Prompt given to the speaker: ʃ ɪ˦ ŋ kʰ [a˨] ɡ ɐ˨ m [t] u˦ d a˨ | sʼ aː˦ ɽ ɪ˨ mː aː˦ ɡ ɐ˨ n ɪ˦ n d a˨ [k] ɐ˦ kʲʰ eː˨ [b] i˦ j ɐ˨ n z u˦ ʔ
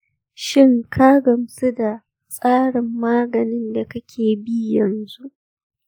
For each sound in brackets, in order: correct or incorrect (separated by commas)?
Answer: incorrect, incorrect, correct, correct